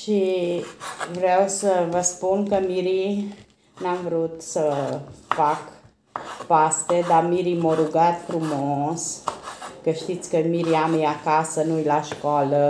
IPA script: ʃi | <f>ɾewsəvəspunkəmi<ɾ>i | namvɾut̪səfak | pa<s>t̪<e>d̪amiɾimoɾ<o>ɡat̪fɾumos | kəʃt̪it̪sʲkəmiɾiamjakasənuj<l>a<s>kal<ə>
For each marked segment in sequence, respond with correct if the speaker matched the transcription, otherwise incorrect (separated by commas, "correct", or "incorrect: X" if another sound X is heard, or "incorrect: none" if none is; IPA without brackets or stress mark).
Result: incorrect: v, correct, correct, correct, incorrect: u, correct, incorrect: ʃ, correct